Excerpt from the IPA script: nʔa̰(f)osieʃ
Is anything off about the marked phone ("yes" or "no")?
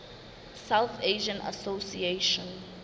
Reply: yes